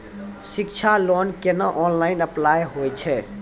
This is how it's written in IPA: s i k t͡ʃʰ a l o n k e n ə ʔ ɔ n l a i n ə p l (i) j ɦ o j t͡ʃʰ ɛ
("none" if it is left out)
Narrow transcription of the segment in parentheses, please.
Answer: a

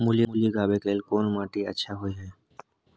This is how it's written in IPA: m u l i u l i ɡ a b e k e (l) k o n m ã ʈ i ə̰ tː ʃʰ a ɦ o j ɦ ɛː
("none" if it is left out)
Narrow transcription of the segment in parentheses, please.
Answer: l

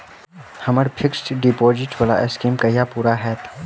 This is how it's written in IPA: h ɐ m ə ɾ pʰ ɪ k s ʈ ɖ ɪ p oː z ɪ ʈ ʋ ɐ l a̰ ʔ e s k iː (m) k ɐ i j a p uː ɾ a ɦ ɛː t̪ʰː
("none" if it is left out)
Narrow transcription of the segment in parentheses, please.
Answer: m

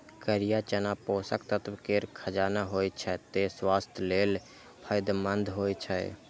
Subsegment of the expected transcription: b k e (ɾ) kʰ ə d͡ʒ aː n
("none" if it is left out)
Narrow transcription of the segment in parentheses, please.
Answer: ɾ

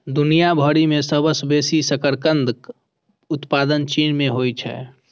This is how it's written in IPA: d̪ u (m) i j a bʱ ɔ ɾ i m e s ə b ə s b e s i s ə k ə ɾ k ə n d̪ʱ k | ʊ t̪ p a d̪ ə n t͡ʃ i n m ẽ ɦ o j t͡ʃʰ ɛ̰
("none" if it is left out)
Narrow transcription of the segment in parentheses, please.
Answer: n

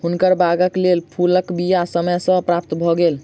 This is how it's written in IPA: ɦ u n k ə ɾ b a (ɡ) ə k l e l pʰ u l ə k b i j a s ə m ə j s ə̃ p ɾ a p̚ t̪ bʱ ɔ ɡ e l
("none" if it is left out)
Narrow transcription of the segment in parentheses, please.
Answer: ɡ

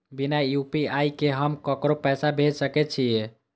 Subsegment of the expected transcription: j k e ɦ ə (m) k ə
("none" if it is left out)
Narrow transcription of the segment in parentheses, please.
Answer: m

